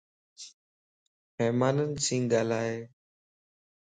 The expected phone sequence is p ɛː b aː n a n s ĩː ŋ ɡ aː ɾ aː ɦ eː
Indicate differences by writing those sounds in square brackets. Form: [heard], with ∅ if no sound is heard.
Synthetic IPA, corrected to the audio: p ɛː [m] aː n [ə] n s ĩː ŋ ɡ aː [l] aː ɦ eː